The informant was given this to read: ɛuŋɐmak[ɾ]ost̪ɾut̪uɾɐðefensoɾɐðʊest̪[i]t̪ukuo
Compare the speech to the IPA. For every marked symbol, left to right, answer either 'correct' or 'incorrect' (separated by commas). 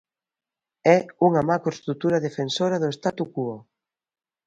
correct, incorrect